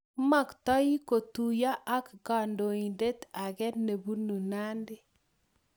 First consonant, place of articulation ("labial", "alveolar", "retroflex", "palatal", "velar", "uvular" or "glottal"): labial